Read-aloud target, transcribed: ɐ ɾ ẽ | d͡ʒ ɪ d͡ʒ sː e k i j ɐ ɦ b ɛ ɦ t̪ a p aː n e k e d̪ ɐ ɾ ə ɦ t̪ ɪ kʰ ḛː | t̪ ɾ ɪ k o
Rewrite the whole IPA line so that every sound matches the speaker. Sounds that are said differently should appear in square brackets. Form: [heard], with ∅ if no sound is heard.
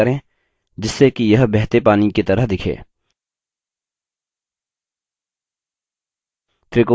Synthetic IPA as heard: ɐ ɾ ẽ | d͡ʒ ɪ [∅] sː e k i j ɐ ɦ b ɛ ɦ t̪ [e] p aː n [i] k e [t̪] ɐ ɾ ə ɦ [d̪] ɪ kʰ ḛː | t̪ ɾ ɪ k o